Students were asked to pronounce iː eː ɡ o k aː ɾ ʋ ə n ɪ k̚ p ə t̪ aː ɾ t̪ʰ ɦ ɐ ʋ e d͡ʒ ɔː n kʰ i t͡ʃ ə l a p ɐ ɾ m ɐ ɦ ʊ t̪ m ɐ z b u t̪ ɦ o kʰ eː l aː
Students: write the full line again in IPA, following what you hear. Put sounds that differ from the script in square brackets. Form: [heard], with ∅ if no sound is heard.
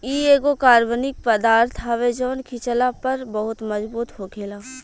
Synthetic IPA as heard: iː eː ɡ o k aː ɾ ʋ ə n ɪ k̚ p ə [d̪] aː ɾ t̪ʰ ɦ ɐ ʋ e d͡ʒ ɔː n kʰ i t͡ʃ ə l a p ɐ ɾ [b] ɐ ɦ ʊ t̪ m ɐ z b [uː] t̪ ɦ o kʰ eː l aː